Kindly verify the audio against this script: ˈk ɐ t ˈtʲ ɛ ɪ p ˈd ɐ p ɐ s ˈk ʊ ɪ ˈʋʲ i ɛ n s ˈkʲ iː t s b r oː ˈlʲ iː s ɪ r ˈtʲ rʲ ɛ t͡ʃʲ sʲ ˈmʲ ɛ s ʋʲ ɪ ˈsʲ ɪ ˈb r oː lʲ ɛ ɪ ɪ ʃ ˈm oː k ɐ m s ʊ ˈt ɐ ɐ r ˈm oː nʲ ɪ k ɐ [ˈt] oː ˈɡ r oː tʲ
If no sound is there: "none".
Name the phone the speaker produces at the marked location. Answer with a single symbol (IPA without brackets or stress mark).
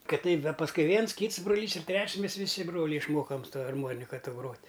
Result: t